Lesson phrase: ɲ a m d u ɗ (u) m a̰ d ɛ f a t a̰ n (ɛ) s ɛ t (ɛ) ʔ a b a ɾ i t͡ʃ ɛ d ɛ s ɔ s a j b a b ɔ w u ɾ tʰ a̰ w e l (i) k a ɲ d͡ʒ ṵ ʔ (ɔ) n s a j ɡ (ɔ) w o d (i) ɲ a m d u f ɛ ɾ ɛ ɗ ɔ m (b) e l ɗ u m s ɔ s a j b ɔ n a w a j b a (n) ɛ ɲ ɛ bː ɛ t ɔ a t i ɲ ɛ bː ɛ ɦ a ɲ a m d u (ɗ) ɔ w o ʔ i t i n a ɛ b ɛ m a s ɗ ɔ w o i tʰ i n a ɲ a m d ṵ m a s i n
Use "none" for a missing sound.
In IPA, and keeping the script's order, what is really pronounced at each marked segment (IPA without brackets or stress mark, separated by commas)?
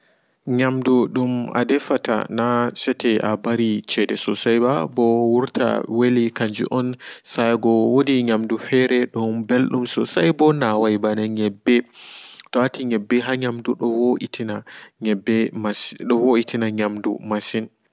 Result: u, a, ɛ, i, ɔ, ɔ, i, b, n, ɗ